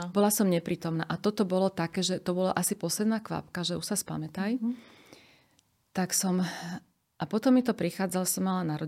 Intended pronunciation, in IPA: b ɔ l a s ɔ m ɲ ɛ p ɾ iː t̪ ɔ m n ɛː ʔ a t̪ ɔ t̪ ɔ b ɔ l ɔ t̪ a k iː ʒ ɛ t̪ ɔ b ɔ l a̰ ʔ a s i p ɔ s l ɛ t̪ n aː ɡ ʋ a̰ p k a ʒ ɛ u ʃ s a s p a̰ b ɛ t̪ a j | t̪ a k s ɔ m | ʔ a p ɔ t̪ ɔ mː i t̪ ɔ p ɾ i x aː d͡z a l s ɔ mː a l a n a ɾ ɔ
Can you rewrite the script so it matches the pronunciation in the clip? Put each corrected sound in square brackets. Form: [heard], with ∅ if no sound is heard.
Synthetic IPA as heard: b ɔ l a s ɔ m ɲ ɛ p ɾ iː t̪ ɔ m n [aː] ʔ a t̪ ɔ t̪ ɔ b ɔ l ɔ t̪ a k [ɛː] ʒ ɛ t̪ ɔ b ɔ l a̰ ʔ a s i p ɔ s l ɛ [d̪] n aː [k] ʋ a̰ p k a ʒ ɛ u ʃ s a s p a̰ [m] ɛ t̪ a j | t̪ a k s ɔ m | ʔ a p ɔ t̪ ɔ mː i t̪ ɔ p ɾ i x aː d͡z a l s ɔ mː a l a n a ɾ ɔ